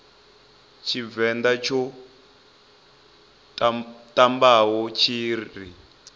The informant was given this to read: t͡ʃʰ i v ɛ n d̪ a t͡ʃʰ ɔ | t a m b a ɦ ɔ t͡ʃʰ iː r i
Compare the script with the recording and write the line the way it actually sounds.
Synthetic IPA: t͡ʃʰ i v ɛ n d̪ a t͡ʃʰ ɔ | t a m b a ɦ ɔ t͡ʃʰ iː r i